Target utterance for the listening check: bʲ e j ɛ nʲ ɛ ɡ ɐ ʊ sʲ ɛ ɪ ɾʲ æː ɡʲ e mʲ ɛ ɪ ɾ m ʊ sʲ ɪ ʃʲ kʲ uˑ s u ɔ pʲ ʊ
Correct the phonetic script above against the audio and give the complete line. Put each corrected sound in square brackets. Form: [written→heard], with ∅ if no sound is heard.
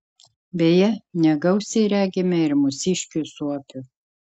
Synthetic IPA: bʲ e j ɛ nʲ ɛ ɡ ɐ ʊ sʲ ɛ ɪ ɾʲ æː ɡʲ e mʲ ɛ ɪ ɾ m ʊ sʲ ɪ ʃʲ kʲ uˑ s u ɔ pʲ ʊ